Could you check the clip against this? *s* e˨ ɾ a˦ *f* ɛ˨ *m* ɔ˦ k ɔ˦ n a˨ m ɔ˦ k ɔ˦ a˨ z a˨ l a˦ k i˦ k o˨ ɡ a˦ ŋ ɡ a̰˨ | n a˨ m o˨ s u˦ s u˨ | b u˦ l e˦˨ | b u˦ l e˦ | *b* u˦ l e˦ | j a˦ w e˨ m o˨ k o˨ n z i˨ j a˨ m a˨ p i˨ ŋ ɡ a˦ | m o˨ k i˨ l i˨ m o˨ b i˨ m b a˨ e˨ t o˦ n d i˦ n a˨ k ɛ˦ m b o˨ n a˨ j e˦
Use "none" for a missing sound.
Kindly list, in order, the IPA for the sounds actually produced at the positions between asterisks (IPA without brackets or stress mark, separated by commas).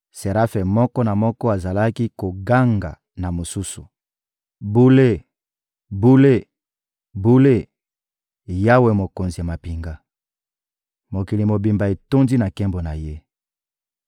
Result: s, f, m, b